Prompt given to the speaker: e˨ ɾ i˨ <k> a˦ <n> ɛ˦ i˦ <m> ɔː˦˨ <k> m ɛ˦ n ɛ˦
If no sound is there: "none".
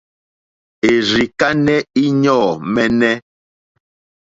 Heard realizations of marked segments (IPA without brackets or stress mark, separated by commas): k, n, ɲ, none